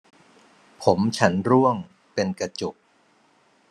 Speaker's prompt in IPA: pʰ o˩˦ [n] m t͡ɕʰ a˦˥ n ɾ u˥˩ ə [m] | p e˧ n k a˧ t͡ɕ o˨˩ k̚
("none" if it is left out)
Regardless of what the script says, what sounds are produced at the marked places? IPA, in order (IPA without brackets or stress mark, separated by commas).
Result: none, ŋ